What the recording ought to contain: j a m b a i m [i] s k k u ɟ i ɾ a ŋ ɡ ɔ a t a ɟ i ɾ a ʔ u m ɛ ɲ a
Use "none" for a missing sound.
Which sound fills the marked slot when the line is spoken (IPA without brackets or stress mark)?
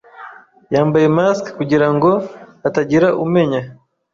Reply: a